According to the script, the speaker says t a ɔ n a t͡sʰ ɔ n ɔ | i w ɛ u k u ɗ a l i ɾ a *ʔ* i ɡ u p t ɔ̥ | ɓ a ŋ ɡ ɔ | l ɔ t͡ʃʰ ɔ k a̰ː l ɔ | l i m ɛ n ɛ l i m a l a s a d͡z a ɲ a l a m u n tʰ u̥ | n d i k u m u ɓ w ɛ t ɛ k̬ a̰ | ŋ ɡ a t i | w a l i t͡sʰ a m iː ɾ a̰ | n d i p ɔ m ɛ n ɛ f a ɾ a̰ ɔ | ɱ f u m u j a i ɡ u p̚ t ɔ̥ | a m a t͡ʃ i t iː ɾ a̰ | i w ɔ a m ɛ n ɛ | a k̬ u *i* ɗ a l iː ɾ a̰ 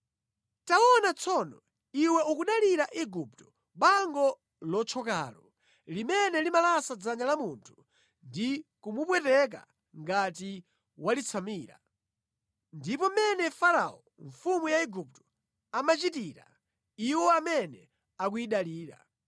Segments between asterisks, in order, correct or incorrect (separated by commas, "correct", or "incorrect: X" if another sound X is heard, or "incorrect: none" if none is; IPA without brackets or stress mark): correct, correct